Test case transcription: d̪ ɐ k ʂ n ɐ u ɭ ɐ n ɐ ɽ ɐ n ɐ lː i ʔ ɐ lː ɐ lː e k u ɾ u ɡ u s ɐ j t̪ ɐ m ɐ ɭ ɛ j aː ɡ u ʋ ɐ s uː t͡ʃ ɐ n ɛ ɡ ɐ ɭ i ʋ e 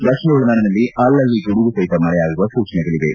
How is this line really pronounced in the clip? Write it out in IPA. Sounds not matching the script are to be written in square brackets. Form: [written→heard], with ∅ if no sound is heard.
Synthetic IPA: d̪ ɐ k ʂ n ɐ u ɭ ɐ n ɐ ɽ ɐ n ɐ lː i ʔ ɐ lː ɐ lː [e→i] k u [ɾ→ɽ] u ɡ u s ɐ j t̪ ɐ m ɐ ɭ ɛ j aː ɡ u ʋ ɐ s uː t͡ʃ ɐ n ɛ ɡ ɐ ɭ i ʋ e